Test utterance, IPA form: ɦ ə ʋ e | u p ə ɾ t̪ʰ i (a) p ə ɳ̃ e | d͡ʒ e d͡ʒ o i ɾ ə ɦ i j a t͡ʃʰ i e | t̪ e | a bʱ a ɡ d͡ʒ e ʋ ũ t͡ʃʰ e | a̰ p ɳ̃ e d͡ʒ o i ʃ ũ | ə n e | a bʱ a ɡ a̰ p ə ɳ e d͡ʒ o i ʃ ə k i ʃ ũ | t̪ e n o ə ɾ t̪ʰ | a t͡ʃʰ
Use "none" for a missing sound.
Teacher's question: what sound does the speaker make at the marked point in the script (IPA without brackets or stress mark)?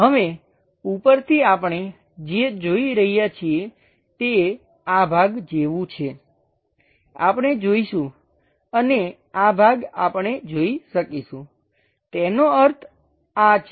a